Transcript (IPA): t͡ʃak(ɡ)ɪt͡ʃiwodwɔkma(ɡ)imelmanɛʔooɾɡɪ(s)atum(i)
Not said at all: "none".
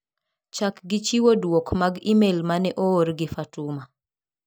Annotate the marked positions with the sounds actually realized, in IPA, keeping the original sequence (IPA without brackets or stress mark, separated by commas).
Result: ɡ, ɡ, f, a